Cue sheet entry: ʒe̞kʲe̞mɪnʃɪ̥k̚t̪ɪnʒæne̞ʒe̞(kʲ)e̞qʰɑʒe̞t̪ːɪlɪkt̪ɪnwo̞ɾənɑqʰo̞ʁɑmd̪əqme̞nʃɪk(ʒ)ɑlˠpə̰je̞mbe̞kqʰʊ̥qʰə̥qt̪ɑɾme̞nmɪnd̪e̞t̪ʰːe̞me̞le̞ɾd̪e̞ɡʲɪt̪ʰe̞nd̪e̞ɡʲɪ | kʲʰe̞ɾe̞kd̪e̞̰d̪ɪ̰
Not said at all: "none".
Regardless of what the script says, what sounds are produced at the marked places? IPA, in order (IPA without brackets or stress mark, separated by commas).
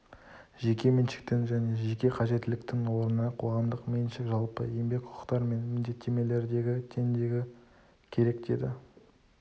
kʲ, ʒ